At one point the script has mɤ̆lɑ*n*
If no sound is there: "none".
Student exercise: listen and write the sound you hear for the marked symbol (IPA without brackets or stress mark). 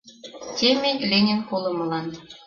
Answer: n